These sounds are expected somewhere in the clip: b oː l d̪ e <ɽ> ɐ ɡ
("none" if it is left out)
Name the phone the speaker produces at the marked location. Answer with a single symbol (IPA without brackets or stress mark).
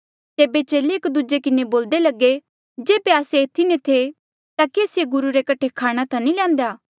l